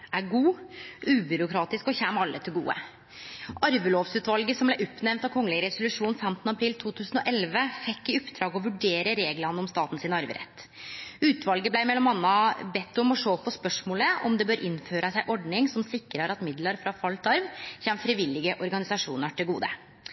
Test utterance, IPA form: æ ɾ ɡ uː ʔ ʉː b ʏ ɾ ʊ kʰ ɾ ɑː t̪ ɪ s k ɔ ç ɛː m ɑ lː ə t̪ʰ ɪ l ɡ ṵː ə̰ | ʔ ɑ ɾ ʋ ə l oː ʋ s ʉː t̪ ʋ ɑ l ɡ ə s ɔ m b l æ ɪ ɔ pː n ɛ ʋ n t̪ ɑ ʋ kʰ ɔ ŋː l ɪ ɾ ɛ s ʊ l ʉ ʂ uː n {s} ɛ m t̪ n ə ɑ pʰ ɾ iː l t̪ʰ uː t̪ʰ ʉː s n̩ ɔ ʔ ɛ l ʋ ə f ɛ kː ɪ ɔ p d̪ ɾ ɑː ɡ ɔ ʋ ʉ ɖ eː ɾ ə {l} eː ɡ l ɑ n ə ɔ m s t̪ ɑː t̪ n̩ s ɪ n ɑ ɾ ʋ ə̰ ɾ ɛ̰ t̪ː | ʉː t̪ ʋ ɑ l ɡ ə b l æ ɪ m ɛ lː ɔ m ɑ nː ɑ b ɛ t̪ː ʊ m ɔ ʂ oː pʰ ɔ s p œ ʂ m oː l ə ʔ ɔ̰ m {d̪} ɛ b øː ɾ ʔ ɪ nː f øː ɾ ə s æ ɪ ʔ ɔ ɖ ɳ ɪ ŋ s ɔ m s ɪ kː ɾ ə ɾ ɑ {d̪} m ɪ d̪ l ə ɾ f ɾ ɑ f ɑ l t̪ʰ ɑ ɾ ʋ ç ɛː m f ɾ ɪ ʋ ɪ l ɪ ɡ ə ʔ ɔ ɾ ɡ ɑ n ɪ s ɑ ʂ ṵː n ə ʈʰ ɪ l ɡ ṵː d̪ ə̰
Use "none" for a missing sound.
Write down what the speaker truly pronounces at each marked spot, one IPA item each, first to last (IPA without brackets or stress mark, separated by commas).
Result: f, ɾ, d̪, t̪